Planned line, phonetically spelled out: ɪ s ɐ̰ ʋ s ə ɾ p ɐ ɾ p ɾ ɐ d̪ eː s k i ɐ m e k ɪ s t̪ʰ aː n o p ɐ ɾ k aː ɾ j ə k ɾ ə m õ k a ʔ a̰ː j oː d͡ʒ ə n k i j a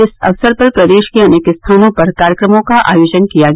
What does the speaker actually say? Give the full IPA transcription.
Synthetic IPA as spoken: ɪ s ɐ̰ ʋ s ə ɾ p ɐ ɾ p ɾ ɐ d̪ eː ʃ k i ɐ n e k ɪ s t̪ʰ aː n õ p ɐ ɾ k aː ɾ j ə k ɾ ə m õ k a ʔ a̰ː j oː d͡ʒ ə n k i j a